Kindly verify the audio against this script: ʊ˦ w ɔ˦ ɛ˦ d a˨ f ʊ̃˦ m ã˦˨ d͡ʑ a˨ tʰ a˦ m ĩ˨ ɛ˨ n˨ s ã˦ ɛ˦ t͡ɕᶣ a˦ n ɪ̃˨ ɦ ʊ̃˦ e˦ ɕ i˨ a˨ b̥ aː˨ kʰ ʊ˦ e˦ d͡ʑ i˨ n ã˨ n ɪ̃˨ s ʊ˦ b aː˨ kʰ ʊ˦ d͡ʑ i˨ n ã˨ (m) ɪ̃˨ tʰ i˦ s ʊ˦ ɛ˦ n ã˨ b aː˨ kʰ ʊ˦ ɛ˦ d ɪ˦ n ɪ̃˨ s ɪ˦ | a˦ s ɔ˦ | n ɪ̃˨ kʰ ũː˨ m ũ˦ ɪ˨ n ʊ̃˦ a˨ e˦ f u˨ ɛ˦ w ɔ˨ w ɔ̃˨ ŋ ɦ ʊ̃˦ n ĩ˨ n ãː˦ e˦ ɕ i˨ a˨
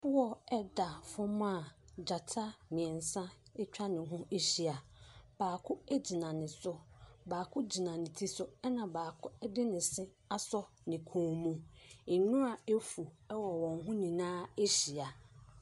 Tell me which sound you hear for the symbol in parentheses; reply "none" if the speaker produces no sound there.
n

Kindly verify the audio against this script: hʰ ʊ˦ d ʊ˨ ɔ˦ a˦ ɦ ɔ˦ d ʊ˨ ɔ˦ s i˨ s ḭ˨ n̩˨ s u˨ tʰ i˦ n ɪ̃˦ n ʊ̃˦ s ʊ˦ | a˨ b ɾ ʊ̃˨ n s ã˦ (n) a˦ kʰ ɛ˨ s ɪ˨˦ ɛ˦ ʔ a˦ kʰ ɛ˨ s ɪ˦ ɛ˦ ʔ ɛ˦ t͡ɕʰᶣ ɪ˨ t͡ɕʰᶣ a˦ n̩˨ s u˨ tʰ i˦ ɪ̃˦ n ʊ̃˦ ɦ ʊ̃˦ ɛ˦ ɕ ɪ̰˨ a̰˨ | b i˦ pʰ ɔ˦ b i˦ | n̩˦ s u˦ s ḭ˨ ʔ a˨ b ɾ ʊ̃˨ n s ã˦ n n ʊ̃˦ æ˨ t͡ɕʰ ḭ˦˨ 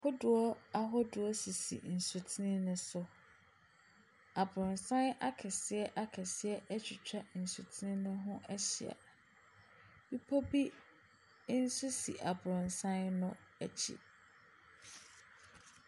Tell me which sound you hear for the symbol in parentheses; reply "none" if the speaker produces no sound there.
n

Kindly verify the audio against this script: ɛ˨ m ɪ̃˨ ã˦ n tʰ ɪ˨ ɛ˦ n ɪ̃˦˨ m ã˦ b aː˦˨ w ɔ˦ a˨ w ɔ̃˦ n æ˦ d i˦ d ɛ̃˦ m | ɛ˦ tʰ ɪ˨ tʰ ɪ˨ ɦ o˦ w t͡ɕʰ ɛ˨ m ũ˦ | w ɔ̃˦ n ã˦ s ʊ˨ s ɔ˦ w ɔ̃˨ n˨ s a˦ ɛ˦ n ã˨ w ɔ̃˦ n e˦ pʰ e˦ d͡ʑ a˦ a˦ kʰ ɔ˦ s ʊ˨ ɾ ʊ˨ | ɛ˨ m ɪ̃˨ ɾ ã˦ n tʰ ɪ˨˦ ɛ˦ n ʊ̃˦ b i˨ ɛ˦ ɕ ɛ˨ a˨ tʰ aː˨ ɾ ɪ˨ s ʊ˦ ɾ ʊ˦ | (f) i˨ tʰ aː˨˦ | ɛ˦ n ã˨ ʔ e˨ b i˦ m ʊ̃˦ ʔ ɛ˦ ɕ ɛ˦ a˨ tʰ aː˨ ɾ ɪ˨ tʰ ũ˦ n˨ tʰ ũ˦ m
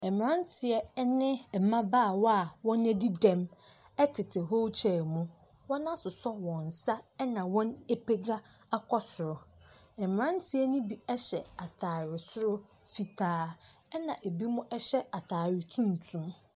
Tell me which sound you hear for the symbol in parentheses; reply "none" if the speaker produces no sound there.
f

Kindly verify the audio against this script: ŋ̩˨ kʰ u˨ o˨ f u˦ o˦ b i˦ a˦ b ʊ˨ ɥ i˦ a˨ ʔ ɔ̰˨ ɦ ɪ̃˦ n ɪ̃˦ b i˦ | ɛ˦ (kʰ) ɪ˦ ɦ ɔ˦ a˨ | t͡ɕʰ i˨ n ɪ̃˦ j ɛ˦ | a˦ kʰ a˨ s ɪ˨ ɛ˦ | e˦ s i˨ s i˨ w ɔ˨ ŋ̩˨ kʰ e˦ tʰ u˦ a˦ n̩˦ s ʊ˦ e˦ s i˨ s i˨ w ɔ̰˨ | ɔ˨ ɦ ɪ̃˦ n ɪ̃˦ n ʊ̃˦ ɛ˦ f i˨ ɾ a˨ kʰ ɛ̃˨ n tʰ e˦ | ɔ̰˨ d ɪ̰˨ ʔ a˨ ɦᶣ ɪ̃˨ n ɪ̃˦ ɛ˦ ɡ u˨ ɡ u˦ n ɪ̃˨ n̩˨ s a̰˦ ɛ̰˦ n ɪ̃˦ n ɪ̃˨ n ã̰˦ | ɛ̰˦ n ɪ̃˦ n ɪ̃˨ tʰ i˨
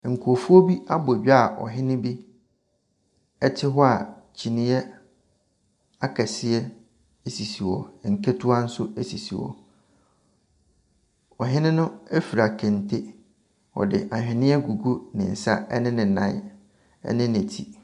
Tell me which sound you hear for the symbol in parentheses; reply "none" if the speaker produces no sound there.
tʰ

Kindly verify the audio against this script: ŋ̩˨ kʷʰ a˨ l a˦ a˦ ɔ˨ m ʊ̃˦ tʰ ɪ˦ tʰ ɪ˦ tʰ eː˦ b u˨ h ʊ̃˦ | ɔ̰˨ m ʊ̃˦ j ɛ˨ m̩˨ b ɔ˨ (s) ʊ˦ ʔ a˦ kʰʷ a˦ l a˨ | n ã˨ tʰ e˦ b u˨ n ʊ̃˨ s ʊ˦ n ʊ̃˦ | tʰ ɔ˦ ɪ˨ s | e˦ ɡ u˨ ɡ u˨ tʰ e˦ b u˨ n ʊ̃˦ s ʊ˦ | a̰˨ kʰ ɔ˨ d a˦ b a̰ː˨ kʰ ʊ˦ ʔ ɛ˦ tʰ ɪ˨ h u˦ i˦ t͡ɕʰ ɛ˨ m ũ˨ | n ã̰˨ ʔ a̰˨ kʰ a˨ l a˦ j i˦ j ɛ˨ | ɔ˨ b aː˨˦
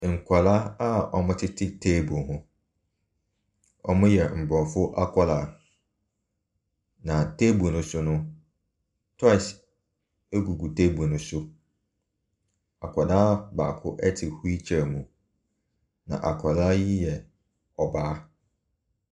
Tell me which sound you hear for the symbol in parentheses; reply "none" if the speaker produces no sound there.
f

